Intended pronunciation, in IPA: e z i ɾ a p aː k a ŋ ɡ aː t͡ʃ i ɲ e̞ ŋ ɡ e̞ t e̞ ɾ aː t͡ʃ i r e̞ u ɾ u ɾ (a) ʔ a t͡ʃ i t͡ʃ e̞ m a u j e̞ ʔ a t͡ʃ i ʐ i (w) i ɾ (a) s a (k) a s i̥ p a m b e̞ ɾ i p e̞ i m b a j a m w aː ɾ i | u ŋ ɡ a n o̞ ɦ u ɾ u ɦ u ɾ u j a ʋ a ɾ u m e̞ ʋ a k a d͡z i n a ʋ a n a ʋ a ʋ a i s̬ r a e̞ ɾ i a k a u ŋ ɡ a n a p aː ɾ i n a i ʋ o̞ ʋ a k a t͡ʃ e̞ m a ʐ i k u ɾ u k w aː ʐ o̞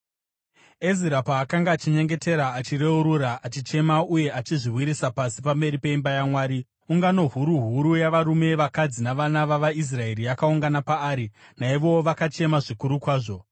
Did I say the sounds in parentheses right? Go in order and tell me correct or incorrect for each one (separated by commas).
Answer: correct, correct, incorrect, incorrect